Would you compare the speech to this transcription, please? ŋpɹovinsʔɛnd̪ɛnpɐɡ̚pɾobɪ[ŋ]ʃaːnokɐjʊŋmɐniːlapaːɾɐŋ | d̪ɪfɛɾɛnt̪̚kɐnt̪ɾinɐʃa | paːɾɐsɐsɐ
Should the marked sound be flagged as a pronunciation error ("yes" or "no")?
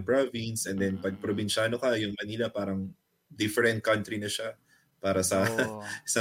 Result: yes